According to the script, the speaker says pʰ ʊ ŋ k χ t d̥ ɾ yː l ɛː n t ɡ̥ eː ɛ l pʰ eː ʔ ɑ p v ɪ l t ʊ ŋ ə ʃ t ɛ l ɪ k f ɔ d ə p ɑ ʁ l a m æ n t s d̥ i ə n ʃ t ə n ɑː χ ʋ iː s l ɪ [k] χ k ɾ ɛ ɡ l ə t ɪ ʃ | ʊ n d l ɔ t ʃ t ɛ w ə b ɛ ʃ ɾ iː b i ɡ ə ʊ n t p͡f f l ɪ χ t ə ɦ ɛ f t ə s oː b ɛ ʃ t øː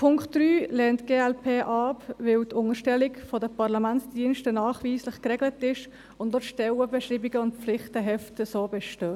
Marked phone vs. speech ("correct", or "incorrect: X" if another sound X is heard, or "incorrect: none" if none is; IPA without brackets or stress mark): incorrect: none